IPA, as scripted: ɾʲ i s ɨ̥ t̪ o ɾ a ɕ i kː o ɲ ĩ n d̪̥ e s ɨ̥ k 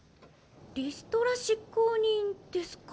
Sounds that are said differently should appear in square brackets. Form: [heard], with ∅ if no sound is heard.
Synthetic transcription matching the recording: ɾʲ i s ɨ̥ t̪ o ɾ a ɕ i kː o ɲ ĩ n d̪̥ e s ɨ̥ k